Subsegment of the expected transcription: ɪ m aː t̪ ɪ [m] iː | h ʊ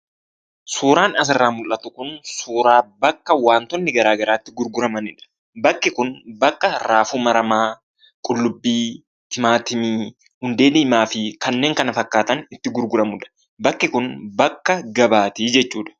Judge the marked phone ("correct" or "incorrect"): correct